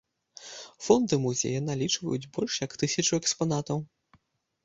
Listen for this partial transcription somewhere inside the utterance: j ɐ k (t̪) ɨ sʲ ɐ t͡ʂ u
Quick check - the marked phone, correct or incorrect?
correct